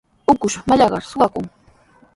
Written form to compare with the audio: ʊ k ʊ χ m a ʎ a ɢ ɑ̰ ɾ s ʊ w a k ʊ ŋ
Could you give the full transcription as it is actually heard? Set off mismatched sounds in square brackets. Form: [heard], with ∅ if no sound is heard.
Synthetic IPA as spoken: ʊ k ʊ [ʃ] m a ʎ [ɑ] ɢ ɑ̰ ɾ s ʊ w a k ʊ ŋ